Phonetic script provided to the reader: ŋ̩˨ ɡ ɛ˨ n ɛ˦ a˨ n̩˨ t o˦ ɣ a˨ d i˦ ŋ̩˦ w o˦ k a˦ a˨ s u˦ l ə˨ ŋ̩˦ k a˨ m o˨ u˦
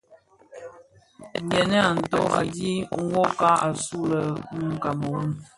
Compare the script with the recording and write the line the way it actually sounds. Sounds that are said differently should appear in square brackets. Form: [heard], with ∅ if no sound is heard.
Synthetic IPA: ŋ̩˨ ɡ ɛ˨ n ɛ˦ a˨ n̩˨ t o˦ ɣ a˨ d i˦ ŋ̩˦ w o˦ k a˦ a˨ s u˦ l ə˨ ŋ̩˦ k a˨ m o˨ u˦